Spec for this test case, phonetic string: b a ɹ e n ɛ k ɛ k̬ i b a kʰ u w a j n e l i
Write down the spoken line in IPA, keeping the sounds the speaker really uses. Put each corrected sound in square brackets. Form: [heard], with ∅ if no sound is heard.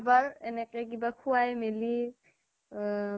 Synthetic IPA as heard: b a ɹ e n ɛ k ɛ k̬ i b a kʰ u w a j [m] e l i